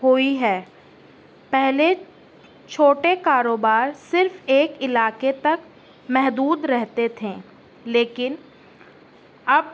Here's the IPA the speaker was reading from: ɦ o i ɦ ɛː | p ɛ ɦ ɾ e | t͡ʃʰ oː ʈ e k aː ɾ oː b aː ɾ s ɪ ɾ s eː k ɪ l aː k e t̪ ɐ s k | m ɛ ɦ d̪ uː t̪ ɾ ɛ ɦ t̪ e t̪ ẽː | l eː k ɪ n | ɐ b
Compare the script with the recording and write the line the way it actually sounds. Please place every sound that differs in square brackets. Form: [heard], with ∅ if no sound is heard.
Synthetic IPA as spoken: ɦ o i ɦ ɛː | p ɛ ɦ [l] e | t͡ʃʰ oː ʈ e k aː ɾ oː b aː ɾ s ɪ ɾ [f] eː k ɪ l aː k e t̪ ɐ [∅] k | m ɛ ɦ d̪ uː [d̪] ɾ ɛ ɦ t̪ e [t̪ʰ] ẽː | l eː k ɪ n | ɐ b